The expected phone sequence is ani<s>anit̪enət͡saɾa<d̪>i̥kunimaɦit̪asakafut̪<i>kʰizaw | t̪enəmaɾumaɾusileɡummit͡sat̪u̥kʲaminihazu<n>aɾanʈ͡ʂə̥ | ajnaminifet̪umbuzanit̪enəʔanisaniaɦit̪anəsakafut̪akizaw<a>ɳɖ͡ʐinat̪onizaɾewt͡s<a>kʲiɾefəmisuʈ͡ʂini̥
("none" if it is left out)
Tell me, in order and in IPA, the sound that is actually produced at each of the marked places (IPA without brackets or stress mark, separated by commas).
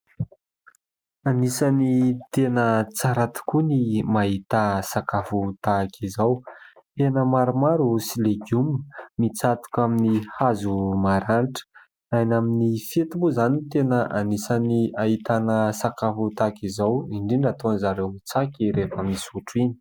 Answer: s, t̪, a, m, i, a